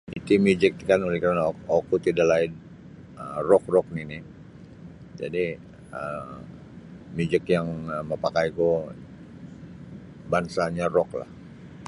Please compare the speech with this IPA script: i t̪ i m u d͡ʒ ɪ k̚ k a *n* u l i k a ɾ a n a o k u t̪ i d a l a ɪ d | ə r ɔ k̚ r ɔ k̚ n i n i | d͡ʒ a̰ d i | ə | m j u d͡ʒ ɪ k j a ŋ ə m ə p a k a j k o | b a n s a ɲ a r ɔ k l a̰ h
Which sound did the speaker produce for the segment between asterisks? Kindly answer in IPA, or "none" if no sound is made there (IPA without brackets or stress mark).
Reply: n